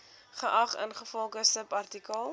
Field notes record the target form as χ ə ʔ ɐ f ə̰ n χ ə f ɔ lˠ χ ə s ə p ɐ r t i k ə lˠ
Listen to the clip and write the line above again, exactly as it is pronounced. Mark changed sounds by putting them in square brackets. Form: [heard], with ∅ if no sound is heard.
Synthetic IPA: χ ə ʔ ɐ [χ] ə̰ n χ ə f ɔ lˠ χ ə s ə p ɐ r t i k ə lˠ